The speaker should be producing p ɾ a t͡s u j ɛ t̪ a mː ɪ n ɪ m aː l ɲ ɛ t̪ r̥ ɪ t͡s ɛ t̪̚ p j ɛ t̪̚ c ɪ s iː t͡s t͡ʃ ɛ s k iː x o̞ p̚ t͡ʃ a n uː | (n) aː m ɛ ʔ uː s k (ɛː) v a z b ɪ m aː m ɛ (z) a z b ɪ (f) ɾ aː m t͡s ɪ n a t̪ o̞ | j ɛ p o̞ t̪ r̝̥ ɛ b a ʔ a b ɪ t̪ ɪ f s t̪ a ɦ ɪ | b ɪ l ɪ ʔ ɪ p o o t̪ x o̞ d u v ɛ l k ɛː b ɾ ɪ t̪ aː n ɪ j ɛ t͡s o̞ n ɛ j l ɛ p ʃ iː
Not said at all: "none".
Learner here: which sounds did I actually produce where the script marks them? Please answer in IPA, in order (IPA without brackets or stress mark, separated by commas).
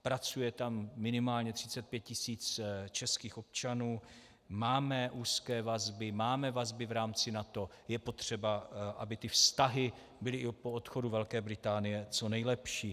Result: m, ɛː, v, v